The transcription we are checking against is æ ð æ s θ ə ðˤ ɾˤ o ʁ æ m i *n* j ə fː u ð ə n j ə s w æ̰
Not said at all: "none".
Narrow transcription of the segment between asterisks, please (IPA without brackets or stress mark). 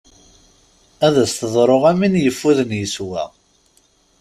n